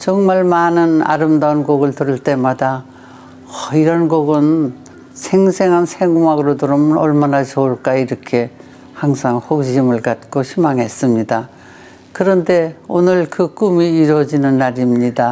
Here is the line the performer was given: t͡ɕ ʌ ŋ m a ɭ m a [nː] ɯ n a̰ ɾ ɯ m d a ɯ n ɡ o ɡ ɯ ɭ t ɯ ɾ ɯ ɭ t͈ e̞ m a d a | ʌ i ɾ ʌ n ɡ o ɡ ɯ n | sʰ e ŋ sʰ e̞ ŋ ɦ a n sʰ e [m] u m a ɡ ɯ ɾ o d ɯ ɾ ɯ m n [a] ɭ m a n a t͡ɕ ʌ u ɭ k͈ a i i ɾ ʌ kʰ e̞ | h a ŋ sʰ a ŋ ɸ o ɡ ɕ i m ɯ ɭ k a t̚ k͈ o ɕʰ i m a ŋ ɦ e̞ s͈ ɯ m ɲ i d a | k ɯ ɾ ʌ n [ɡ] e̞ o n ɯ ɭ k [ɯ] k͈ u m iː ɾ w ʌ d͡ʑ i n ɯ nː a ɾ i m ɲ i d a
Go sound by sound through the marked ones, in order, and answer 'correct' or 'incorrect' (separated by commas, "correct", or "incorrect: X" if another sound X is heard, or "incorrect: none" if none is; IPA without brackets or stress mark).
incorrect: n, incorrect: ŋ, incorrect: ʌ, incorrect: d, correct